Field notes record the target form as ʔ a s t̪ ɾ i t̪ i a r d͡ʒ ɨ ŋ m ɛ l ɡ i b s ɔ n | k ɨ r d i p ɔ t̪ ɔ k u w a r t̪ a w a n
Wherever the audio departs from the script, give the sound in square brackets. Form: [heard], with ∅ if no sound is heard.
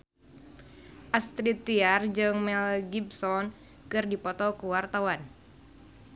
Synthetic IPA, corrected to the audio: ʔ a s t̪ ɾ i t̪ i a r d͡ʒ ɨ ŋ m ɛ l ɡ i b s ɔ n | k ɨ r d i p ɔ t̪ ɔ k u w a r t̪ a w a n